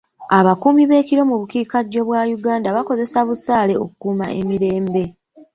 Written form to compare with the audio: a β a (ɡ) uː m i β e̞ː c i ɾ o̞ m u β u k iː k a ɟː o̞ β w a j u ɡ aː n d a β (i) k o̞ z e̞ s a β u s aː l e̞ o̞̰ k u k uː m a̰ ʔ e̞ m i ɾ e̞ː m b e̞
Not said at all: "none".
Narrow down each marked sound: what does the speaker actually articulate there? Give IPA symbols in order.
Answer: k, a

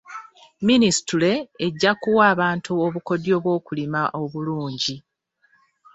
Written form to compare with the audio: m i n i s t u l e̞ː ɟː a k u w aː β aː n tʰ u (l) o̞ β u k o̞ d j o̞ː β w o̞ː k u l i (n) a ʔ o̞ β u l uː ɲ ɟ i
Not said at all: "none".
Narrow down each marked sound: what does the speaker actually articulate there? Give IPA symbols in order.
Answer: none, m

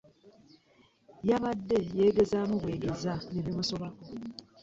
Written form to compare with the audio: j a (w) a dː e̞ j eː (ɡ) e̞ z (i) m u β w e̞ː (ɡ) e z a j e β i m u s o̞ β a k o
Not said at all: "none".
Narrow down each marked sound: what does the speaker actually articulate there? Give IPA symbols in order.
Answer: β, ɡ, a, ɡ

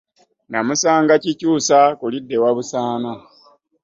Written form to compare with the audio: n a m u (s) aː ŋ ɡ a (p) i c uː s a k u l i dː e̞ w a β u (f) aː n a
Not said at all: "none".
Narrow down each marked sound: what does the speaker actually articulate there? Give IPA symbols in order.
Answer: s, c, s

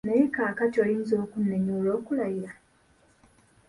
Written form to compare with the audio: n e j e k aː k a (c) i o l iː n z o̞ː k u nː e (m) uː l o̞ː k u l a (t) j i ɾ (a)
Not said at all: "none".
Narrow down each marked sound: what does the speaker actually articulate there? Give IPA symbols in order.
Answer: t, ɲ, none, a

